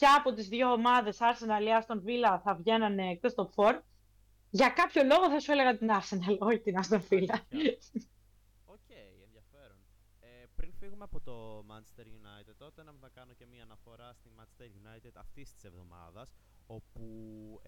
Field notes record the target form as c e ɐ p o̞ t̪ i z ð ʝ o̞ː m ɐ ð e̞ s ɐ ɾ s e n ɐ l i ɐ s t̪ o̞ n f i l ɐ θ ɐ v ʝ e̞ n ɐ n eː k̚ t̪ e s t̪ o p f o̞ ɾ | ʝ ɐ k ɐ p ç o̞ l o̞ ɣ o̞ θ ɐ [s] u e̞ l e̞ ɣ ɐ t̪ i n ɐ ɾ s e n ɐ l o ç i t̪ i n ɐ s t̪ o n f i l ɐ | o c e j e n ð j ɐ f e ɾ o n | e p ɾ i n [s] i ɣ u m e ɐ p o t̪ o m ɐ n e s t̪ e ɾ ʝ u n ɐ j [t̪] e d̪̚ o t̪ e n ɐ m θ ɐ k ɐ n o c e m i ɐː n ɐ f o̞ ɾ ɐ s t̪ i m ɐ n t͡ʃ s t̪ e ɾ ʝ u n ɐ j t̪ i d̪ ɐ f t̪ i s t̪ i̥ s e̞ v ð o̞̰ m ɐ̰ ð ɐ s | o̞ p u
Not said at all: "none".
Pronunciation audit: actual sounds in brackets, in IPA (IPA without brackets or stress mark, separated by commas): s, f, t̪